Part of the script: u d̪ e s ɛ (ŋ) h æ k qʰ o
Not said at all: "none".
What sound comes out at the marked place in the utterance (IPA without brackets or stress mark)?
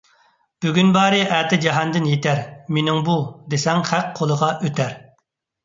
ŋ